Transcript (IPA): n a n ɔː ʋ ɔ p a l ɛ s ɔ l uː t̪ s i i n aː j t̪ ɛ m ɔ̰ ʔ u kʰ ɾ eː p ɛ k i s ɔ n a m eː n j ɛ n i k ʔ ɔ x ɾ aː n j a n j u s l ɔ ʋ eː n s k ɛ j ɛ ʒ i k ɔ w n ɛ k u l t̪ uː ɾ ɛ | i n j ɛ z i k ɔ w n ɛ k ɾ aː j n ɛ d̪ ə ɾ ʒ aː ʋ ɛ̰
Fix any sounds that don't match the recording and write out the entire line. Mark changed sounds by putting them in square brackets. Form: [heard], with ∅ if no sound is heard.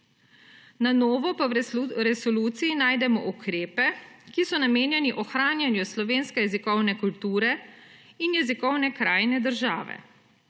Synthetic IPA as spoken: n a n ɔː ʋ ɔ p a [ɾ] ɛ s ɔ l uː t̪ s i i n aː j [d̪] ɛ m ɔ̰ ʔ u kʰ ɾ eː p ɛ k i s ɔ n a m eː n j ɛ n i [∅] ʔ ɔ x ɾ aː n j a n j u s l ɔ ʋ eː n s k ɛ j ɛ [z] i k ɔ w n ɛ k u l t̪ uː ɾ ɛ | i n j ɛ z i k ɔ w n ɛ k ɾ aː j n ɛ d̪ ə ɾ ʒ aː ʋ ɛ̰